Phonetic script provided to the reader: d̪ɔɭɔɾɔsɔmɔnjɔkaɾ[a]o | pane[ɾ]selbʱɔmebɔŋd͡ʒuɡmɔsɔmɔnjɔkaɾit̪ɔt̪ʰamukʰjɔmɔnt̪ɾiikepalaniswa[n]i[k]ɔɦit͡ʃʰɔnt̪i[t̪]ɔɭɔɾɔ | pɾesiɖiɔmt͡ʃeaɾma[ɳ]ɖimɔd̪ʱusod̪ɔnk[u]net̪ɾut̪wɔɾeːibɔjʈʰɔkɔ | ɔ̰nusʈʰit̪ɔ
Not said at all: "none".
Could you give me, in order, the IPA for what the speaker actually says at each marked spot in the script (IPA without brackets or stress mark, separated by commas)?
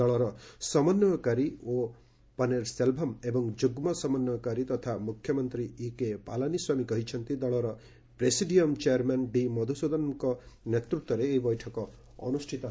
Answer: i, ɾ, m, k, d̪, n, ɔ